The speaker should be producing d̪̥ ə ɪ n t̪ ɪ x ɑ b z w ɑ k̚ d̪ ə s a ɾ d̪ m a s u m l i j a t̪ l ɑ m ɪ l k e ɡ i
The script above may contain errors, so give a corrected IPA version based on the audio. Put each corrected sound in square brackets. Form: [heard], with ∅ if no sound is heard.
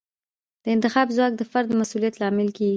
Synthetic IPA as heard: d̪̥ ə ɪ n t̪ ɪ x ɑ b z w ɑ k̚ d̪ ə [f] a ɾ d̪ m a s u [∅] l i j a t̪ l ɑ m ɪ l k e ɡ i